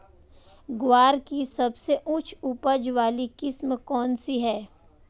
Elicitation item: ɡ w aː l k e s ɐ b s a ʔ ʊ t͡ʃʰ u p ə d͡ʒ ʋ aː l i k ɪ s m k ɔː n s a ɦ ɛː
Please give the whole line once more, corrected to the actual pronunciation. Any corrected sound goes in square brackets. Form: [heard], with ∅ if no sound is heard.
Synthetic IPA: ɡ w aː [ɾ] k [i] s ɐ b s [e] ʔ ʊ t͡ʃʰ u p ə d͡ʒ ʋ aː l i k ɪ s m k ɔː n s [i] ɦ ɛː